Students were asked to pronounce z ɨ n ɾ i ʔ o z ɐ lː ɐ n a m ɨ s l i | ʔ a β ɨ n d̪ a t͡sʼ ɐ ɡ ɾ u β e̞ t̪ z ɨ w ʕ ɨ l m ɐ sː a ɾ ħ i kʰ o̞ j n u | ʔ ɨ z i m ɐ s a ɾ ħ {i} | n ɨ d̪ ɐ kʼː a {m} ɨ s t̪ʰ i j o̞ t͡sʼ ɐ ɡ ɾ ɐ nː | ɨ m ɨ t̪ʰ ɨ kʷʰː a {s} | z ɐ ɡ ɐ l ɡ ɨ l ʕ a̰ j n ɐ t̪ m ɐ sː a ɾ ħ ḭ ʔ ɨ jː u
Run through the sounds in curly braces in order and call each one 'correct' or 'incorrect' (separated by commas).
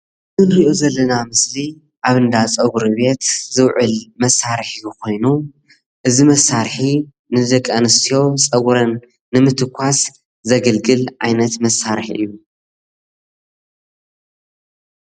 correct, incorrect, correct